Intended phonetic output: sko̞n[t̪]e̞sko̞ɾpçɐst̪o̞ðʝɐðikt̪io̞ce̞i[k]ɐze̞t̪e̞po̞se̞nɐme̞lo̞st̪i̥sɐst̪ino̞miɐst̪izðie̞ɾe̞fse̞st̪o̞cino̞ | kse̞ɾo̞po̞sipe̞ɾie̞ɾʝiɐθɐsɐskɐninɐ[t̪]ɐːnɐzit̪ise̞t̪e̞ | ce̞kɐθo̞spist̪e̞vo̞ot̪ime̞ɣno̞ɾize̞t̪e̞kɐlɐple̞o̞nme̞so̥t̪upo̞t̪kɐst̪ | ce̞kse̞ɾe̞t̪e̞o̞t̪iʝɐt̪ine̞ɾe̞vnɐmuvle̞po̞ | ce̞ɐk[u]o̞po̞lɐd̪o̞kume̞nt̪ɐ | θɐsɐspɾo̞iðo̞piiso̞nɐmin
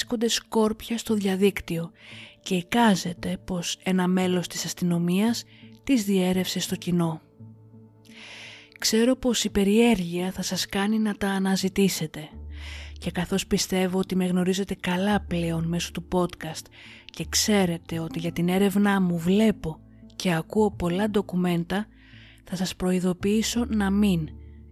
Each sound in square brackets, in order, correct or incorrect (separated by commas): incorrect, correct, correct, correct